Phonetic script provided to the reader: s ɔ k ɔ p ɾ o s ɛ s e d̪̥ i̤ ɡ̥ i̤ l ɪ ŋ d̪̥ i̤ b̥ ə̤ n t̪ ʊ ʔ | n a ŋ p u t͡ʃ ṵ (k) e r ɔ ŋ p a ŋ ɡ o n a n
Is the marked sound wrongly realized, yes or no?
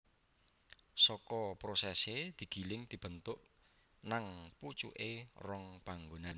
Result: yes